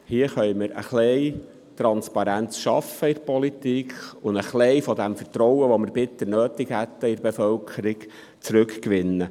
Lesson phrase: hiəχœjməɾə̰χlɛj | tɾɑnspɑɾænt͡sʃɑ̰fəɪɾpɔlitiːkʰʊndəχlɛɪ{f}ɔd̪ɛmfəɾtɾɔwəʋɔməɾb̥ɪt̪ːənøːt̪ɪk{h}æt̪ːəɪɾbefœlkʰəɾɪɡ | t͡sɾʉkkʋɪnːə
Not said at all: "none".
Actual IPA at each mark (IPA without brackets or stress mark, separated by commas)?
f, h